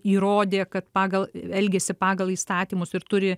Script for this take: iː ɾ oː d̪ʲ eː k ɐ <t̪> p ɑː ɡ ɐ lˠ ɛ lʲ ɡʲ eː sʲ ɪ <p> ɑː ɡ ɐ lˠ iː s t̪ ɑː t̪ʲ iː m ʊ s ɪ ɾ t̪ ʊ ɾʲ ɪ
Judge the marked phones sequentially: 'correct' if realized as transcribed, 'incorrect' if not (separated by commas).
correct, correct